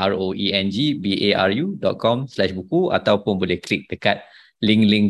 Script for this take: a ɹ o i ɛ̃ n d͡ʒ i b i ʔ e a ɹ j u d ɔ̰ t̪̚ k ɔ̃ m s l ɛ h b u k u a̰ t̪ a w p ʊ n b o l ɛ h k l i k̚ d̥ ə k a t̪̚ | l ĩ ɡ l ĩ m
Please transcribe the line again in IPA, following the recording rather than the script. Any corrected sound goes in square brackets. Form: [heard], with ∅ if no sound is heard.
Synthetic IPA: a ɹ o i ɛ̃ n d͡ʒ i b i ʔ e a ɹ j u d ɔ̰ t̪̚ k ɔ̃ m s l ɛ [ʃ] b u k u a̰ t̪ a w p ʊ n b o l ɛ h k l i k̚ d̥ ə k a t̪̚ | l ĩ [ŋ] l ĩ [ŋ]